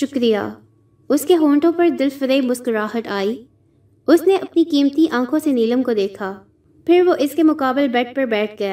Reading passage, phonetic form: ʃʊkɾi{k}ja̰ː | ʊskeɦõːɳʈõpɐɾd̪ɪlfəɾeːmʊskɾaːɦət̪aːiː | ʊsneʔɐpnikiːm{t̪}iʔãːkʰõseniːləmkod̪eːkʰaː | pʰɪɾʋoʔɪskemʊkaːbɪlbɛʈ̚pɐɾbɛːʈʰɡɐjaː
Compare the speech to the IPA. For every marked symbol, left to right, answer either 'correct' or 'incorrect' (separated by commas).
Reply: incorrect, correct